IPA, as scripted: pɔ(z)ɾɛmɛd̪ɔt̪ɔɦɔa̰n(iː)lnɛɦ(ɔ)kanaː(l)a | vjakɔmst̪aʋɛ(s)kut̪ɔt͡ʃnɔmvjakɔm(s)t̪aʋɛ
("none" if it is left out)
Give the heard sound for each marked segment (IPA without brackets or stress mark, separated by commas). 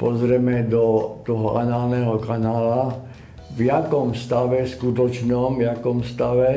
z, aː, ɔ, l, s, s